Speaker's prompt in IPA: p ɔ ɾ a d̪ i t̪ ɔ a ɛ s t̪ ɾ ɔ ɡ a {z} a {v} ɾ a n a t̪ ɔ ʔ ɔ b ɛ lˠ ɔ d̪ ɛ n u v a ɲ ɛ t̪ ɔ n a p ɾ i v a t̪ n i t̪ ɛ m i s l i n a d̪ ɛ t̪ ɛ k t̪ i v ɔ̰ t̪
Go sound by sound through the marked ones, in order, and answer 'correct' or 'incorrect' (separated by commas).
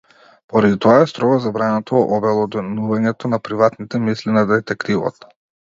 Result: correct, incorrect